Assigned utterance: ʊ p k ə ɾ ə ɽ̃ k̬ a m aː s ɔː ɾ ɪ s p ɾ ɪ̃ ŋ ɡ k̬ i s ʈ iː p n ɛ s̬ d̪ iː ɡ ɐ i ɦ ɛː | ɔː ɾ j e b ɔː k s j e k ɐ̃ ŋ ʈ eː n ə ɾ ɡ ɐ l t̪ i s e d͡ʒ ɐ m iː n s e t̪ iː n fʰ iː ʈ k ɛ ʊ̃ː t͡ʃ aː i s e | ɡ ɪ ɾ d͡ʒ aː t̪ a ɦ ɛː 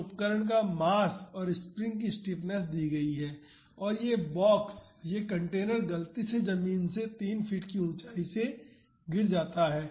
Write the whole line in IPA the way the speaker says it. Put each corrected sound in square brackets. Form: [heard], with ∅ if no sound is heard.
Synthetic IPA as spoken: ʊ p k ə ɾ ə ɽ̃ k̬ a m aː s ɔː ɾ ɪ s p ɾ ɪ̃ ŋ ɡ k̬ i s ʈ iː p n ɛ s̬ d̪ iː ɡ ɐ i ɦ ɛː | ɔː ɾ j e b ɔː k s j e k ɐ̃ [ɳ] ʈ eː n ə ɾ ɡ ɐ l t̪ i s e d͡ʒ ɐ m iː n s e t̪ iː n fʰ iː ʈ k [i] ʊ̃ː t͡ʃ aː i s e | ɡ ɪ ɾ d͡ʒ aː t̪ a ɦ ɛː